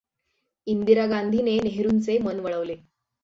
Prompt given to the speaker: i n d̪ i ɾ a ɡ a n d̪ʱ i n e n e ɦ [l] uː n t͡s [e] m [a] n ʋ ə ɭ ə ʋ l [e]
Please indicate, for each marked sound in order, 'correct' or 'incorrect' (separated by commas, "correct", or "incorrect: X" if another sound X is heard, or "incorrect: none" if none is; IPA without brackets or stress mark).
incorrect: ɾ, correct, incorrect: ə, correct